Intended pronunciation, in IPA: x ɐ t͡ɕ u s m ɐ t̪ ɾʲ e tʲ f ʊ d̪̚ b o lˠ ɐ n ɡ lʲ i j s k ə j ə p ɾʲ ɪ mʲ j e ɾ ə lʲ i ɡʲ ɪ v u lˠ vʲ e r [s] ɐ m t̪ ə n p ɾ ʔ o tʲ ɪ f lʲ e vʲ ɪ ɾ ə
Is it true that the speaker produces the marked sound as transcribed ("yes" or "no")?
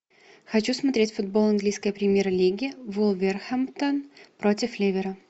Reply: no